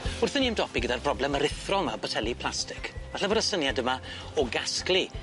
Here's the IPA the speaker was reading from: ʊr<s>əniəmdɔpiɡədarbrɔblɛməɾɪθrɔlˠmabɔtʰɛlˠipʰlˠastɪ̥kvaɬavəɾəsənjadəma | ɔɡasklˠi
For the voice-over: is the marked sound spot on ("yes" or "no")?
no